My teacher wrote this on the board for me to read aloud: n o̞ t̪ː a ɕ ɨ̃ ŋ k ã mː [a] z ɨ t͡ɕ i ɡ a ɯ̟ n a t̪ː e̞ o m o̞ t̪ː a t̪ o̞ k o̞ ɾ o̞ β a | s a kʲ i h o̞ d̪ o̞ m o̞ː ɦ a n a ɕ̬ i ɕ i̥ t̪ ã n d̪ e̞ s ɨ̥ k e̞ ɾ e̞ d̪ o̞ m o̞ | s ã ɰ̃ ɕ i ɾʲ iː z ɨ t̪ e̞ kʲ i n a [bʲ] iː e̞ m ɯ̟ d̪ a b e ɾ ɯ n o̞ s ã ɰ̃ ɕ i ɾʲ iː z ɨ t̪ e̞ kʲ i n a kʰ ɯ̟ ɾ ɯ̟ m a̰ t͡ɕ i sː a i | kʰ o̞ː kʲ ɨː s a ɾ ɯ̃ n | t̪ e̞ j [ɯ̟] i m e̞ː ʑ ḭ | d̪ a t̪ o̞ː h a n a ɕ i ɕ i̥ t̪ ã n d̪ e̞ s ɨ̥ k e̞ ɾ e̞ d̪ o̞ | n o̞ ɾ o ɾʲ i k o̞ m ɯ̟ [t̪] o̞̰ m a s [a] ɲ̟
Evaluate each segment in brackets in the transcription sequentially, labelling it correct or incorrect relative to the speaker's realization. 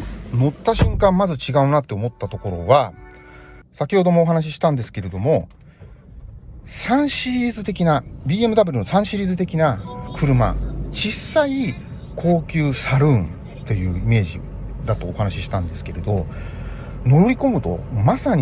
correct, correct, incorrect: ɯ̟ː, correct, correct

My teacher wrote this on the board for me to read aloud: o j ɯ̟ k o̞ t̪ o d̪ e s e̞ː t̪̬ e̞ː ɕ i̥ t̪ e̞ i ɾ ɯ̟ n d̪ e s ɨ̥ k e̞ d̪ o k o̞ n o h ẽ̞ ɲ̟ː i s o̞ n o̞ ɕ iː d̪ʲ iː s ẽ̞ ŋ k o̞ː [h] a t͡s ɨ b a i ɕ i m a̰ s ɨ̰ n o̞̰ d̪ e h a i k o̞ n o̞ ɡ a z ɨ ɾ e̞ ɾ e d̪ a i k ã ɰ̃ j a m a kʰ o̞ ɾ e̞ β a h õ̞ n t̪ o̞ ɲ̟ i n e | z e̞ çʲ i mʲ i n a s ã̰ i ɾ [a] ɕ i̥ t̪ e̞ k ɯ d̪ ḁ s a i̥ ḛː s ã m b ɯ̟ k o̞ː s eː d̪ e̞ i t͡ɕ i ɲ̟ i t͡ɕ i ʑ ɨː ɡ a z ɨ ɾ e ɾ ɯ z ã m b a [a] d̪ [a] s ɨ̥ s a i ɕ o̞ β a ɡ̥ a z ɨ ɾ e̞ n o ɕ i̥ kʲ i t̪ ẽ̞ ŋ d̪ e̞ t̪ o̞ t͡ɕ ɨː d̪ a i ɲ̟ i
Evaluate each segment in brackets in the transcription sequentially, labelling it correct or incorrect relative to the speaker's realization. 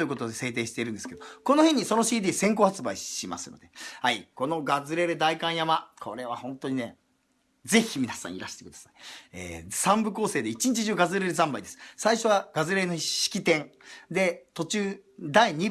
correct, correct, incorrect: i, incorrect: e

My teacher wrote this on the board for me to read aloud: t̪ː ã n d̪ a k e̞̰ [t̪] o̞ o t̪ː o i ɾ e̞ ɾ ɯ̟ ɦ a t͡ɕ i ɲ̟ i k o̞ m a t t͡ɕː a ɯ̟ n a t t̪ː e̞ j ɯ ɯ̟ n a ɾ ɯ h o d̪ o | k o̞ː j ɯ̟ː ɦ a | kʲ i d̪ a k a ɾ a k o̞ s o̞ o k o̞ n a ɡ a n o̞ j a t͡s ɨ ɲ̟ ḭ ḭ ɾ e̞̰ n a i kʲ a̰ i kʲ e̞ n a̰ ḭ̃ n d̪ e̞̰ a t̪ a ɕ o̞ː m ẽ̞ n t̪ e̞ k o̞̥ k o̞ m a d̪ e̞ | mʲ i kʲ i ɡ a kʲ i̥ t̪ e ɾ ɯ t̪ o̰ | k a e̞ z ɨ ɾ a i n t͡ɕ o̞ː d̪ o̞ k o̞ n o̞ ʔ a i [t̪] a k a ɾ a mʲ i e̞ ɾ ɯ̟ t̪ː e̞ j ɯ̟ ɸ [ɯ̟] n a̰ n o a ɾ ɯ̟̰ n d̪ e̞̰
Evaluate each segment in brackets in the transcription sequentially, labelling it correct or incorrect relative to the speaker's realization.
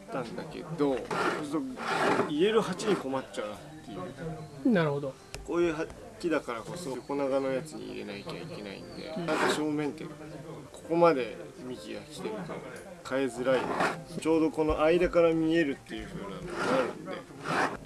incorrect: d̪, incorrect: d̪, incorrect: ɯ̟ː

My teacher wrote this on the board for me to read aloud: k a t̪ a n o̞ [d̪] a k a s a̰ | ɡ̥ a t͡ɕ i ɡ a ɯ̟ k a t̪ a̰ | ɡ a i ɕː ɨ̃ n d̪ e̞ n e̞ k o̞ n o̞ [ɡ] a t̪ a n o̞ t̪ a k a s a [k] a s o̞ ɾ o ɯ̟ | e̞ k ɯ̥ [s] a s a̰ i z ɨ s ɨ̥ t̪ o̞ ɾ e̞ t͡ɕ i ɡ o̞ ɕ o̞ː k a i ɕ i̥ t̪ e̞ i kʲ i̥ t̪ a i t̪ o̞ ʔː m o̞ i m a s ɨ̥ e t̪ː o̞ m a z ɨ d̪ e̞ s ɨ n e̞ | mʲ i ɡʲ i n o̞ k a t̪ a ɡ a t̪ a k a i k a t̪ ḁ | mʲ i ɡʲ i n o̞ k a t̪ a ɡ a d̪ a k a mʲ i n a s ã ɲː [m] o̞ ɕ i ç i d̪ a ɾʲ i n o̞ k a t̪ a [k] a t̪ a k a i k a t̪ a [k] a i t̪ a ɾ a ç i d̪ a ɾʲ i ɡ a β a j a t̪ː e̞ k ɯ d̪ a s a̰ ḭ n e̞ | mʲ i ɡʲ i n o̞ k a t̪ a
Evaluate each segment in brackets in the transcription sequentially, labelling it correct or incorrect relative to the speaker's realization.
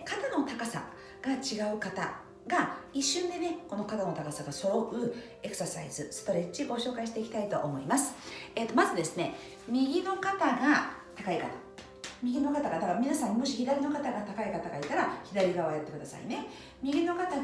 incorrect: t̪, incorrect: k, incorrect: ɡ, correct, correct, incorrect: ɡ, incorrect: ɡ

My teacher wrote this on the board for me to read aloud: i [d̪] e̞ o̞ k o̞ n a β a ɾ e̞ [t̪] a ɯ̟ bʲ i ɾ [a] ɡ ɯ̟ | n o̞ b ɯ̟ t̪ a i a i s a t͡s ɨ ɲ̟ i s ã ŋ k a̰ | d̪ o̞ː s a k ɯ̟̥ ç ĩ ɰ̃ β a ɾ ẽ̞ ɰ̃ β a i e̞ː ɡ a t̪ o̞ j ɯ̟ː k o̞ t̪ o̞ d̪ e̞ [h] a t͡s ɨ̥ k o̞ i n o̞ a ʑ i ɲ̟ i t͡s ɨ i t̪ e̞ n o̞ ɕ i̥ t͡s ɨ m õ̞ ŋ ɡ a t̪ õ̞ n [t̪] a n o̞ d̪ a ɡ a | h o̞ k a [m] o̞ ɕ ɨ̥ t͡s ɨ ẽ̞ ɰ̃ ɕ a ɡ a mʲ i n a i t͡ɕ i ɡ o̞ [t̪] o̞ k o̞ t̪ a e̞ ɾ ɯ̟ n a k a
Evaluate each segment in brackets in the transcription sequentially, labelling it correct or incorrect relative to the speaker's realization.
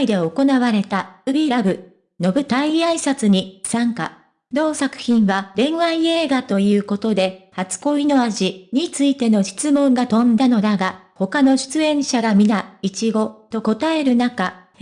correct, correct, correct, correct, incorrect: d̪, incorrect: n, correct

